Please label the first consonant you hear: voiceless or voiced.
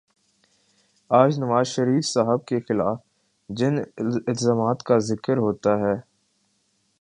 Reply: voiced